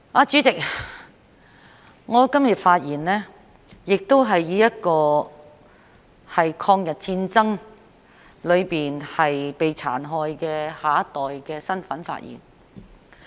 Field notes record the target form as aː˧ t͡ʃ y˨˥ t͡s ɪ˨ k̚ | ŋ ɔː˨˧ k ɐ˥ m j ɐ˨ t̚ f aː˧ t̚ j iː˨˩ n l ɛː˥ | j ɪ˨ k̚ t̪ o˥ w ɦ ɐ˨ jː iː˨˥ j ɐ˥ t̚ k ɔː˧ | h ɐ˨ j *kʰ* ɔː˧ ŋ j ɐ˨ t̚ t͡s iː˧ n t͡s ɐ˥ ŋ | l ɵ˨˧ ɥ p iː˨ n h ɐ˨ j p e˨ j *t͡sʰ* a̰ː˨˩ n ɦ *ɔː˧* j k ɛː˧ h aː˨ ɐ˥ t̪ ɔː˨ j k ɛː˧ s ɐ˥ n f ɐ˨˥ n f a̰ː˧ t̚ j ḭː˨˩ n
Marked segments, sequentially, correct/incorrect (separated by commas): correct, correct, correct